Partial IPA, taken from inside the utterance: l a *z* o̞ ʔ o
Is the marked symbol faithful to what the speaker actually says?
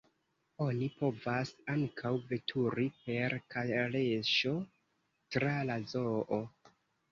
yes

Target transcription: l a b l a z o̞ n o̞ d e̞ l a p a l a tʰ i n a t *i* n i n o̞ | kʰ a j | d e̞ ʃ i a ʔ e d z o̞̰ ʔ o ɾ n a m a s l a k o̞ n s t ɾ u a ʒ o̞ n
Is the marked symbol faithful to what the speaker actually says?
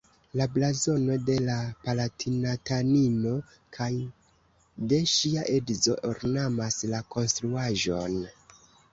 no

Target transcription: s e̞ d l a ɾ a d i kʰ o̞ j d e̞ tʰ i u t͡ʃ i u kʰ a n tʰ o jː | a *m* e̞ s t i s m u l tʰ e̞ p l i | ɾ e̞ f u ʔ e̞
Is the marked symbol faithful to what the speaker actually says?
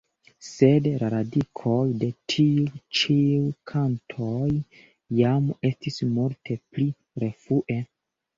yes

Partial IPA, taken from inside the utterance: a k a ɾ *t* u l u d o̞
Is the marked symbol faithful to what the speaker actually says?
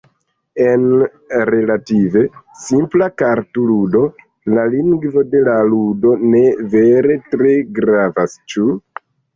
yes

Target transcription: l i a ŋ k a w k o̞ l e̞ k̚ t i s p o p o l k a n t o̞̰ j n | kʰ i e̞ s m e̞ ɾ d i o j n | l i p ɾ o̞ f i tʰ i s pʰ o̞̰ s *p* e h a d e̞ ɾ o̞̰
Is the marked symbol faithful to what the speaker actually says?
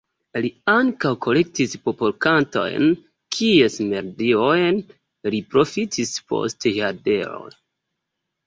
no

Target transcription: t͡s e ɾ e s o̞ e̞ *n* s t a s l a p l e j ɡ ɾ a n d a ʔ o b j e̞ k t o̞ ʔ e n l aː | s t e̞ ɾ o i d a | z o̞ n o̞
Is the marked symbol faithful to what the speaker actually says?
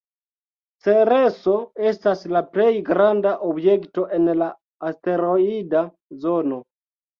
no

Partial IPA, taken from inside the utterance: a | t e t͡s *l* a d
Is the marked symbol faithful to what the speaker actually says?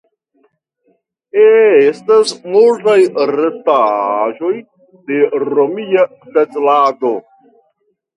yes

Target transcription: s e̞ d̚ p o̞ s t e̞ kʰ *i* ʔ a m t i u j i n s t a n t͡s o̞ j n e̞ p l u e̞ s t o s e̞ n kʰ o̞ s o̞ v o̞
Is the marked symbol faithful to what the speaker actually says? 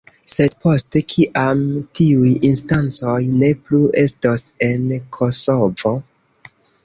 yes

